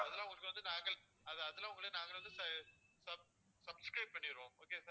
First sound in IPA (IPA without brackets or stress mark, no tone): ɐ